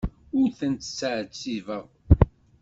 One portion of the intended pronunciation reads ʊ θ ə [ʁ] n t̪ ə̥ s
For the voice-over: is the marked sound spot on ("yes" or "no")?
no